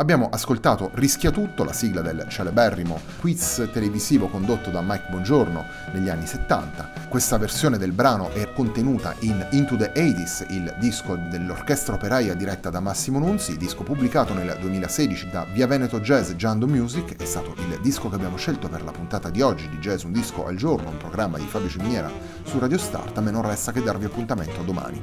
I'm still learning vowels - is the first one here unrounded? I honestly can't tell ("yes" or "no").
yes